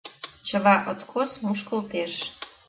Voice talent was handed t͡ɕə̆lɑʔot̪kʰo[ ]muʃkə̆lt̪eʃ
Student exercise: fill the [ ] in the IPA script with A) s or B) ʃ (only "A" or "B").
A